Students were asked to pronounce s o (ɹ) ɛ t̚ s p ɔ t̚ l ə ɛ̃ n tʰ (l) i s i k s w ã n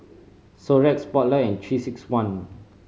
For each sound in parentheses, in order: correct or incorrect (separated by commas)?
correct, incorrect